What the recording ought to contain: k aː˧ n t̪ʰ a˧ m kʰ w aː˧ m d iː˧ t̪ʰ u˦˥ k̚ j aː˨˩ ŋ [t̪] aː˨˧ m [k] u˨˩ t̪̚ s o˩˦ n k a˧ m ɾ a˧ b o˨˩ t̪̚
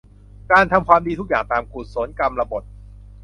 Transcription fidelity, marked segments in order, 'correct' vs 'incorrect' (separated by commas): correct, correct